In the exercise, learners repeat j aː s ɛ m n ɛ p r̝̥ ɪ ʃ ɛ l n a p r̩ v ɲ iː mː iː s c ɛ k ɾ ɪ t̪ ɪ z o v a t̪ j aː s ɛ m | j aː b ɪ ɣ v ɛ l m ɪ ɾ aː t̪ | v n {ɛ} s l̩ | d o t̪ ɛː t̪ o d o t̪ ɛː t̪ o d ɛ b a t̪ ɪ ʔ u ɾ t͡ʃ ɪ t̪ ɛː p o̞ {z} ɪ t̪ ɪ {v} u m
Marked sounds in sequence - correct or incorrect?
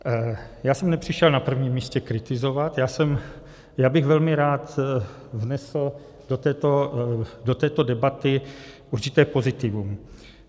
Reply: correct, correct, correct

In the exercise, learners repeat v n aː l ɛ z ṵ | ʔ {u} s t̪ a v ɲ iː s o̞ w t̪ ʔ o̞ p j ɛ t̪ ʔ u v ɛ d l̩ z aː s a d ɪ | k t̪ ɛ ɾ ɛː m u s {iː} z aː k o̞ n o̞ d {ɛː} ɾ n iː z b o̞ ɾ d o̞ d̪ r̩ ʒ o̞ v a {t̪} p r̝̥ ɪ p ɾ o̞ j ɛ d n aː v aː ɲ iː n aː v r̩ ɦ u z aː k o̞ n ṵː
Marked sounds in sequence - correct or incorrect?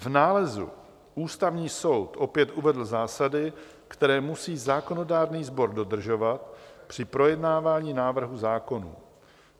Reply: incorrect: uː, correct, incorrect: aː, correct

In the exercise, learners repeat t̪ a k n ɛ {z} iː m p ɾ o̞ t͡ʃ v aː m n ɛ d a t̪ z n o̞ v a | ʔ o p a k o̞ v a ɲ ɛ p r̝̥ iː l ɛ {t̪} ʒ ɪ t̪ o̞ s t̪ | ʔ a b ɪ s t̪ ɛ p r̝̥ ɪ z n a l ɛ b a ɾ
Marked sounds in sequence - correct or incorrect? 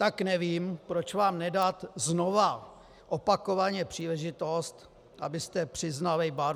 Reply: incorrect: v, incorrect: none

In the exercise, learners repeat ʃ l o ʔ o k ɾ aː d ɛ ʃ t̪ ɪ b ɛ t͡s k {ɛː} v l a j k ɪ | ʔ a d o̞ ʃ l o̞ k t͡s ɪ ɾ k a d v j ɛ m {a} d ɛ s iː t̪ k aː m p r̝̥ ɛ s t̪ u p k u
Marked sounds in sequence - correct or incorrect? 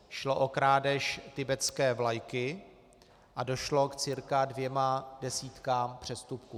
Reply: correct, correct

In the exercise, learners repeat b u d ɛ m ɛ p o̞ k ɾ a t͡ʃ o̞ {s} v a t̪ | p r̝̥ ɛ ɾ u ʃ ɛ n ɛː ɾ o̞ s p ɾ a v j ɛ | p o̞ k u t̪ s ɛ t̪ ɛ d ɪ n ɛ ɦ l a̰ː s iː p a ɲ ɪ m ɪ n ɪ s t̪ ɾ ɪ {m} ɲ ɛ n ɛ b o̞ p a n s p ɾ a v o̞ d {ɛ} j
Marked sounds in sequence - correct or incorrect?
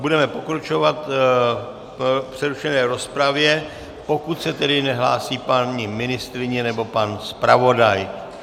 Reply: incorrect: none, incorrect: none, incorrect: a

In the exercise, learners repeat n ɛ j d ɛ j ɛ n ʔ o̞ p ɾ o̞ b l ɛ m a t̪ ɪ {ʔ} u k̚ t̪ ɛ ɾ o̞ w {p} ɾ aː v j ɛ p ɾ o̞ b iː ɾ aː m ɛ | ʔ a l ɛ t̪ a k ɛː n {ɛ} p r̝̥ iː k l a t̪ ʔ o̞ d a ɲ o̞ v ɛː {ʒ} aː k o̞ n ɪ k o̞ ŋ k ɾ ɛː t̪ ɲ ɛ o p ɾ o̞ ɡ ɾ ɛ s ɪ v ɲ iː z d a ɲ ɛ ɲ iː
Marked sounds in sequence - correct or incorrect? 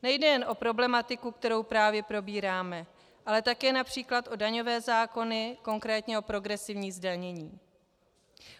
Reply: incorrect: k, correct, incorrect: a, incorrect: z

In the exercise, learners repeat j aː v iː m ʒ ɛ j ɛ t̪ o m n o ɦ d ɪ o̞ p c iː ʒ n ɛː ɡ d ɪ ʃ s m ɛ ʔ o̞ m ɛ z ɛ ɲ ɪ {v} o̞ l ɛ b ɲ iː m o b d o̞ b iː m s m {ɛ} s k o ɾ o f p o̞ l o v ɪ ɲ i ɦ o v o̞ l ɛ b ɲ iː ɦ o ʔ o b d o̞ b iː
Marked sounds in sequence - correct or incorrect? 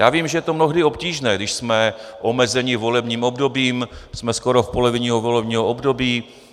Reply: correct, correct

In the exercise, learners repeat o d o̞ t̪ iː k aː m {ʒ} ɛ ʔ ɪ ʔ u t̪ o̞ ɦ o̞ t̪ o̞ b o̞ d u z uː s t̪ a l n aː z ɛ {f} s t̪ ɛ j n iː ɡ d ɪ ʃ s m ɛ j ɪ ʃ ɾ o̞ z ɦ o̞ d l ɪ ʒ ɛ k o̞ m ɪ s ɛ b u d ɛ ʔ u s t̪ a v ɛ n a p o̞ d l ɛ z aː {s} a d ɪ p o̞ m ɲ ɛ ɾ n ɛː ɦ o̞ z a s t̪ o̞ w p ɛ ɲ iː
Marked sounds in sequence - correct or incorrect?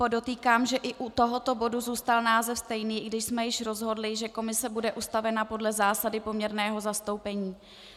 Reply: correct, correct, correct

